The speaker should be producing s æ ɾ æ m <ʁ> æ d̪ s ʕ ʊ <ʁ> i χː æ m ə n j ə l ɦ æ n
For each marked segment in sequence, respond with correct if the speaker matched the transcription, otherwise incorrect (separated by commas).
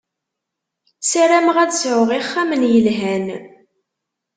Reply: correct, correct